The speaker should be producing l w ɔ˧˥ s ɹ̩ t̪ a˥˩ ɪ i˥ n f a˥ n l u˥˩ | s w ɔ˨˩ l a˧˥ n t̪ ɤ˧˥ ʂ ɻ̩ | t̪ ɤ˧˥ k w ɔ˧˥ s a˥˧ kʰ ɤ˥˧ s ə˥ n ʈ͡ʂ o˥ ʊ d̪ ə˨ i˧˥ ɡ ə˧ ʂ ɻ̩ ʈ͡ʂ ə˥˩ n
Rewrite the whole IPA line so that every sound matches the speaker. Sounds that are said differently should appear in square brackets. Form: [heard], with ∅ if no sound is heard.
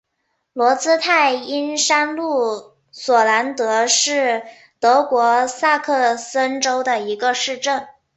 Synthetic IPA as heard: l w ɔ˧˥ [t͡s] ɹ̩ [t̪ʰ] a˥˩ ɪ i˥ n [ʂ] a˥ n l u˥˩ | s w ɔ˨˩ l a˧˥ n t̪ ɤ˧˥ ʂ ɻ̩ | t̪ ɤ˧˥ k w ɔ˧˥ s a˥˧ kʰ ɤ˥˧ s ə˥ n ʈ͡ʂ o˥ ʊ d̪ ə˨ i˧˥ ɡ ə˧ ʂ ɻ̩ ʈ͡ʂ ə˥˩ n